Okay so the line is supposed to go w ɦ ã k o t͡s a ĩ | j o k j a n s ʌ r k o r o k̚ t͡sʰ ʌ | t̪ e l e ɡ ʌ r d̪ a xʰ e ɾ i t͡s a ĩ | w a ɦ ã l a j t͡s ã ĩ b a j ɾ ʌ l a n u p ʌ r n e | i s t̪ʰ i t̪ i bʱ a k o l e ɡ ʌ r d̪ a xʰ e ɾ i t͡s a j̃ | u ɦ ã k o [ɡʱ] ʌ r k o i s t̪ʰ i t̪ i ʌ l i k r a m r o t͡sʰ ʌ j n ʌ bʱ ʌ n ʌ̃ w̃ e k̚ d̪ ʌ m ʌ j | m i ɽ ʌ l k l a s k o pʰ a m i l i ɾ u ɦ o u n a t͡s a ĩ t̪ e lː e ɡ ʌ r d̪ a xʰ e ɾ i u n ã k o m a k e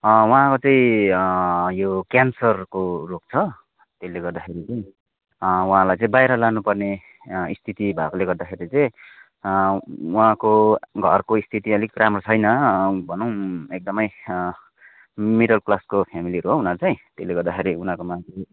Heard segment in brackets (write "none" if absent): ɡʱ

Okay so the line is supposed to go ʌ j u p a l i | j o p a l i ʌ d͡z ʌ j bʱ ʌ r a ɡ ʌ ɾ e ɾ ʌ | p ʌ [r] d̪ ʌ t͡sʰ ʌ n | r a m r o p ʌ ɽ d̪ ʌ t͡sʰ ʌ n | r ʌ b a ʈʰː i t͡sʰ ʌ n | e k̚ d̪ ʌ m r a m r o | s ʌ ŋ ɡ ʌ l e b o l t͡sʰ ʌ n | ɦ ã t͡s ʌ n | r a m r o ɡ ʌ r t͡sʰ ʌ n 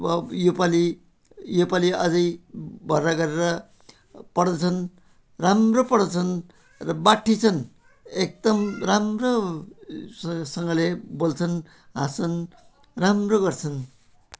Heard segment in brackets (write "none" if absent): ɽ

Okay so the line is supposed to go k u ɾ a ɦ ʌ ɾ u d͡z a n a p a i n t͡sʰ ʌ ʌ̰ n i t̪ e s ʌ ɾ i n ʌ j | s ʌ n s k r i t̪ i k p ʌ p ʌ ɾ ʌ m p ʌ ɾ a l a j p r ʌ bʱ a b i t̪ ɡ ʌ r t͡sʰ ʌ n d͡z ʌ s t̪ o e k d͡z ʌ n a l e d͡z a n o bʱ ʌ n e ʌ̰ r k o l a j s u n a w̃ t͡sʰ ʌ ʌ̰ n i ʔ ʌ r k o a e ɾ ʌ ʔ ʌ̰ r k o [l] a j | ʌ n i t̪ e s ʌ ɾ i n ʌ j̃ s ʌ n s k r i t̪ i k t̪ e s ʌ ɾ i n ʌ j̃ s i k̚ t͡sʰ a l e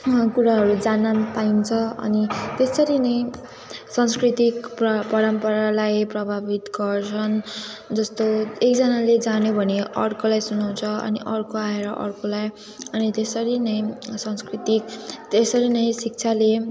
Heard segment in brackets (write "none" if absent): l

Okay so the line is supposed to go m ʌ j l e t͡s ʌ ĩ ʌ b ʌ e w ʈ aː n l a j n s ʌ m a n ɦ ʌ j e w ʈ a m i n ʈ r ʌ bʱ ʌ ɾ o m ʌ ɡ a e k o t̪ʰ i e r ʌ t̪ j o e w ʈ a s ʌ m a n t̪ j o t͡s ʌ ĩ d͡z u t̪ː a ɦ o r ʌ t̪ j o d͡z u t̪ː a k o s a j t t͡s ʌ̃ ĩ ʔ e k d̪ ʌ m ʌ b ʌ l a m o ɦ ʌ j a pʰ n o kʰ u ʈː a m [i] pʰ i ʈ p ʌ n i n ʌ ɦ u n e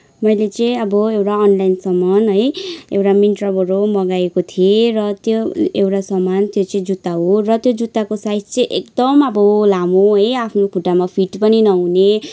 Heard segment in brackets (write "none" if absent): a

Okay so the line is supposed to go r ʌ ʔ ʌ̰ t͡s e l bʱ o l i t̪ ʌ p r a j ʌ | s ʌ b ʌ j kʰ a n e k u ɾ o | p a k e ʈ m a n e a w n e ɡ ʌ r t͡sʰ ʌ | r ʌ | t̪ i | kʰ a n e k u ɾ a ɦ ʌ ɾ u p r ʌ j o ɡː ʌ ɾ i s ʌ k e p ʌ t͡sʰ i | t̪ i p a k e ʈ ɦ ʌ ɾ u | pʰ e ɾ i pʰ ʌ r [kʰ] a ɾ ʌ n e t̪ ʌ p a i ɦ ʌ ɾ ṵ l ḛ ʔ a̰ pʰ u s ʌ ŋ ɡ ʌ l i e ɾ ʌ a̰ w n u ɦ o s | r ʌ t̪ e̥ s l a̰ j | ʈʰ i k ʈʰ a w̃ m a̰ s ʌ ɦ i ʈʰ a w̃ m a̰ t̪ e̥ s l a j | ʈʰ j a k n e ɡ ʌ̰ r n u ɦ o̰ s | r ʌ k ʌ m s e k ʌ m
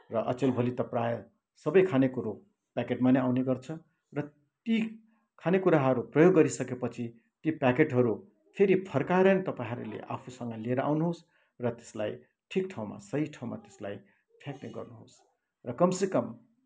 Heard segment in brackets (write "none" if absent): k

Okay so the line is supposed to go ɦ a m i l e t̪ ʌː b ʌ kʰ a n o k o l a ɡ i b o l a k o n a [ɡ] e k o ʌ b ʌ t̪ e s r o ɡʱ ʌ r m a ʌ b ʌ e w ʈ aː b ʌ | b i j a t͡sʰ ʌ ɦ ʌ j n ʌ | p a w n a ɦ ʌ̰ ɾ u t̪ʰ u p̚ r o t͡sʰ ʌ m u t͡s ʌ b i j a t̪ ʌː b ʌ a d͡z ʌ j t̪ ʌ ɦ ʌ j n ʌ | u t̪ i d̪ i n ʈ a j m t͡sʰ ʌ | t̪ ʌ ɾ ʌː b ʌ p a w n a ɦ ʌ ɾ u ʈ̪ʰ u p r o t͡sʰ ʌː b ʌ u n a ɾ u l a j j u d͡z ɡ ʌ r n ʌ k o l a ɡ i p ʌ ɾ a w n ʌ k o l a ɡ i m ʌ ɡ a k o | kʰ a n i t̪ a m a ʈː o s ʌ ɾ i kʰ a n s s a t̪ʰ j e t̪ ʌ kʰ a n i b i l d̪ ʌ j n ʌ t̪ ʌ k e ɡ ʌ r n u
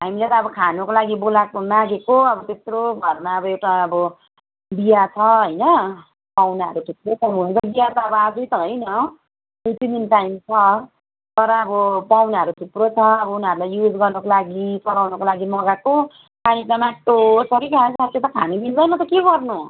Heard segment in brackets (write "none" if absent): ɡ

